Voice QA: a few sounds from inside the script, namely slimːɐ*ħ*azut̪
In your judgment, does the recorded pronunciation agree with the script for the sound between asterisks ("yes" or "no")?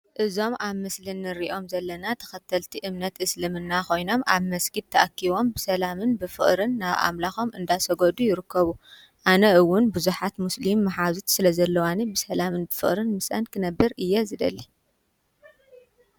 yes